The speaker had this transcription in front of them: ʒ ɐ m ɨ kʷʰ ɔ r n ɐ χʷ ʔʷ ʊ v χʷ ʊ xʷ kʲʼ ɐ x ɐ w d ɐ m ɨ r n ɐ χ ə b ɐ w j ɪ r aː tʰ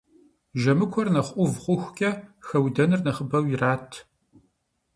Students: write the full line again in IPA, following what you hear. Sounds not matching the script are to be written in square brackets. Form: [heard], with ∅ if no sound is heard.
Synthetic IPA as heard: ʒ ɐ m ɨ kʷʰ ɔ r n ɐ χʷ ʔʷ ʊ v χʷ ʊ xʷ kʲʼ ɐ x ɐ w d ɐ [n] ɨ r n ɐ χ ə b ɐ w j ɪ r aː tʰ

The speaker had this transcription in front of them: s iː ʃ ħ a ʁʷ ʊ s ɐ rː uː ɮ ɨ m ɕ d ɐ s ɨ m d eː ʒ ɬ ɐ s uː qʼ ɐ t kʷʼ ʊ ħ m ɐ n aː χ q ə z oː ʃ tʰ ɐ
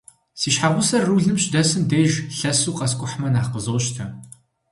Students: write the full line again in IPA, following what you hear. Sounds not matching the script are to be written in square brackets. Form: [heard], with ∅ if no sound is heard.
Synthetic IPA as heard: s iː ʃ ħ a ʁʷ ʊ s ɐ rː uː ɮ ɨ m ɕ d ɐ s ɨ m d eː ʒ ɬ ɐ s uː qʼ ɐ [s] kʷʼ ʊ ħ m ɐ n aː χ q ə z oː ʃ tʰ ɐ

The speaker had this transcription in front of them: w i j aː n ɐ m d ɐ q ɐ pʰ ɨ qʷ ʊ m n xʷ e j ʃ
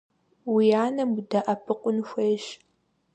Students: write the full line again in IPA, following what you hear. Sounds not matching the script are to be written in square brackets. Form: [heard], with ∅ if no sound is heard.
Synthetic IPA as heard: w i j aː n ɐ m d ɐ [ʔ] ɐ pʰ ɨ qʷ ʊ [∅] n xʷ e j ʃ

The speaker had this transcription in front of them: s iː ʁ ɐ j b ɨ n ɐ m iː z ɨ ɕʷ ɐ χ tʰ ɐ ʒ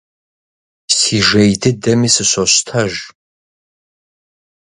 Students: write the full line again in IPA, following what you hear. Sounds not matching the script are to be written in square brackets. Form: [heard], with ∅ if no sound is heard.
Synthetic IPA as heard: s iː [ʒ] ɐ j [d] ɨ [d] ɐ m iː [s] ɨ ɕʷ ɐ [ɕ] tʰ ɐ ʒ

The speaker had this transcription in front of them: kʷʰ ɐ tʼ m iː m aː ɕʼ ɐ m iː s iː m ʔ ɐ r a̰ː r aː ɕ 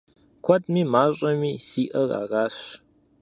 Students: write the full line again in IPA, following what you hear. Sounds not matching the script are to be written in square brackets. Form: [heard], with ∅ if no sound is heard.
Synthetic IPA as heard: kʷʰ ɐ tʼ m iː m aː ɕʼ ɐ m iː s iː [∅] ʔ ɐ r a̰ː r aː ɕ

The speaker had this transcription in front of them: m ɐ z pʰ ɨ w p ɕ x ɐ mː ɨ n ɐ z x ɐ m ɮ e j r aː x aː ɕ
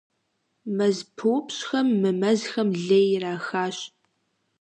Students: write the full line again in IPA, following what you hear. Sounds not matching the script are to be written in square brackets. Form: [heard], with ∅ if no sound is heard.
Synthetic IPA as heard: m ɐ z pʰ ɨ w p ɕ x ɐ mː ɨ [m] ɐ z x ɐ m ɮ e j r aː x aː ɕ

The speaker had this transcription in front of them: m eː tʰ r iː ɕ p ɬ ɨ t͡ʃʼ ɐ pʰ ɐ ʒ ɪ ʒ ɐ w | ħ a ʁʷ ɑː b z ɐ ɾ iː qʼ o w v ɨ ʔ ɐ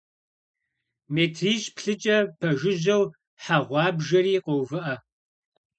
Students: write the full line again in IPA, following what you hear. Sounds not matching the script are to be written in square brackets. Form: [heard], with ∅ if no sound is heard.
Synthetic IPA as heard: m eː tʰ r iː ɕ p ɬ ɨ t͡ʃʼ ɐ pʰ ɐ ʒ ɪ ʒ ɐ w | ħ a ʁʷ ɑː b [ʒ] ɐ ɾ iː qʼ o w v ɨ ʔ ɐ

